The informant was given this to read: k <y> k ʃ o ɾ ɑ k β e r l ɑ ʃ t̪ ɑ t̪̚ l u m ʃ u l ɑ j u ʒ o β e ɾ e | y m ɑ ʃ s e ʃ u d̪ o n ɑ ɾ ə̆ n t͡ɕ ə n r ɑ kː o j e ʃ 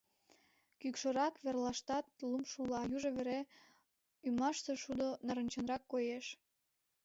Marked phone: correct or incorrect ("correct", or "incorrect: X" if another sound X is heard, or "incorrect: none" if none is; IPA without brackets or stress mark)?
correct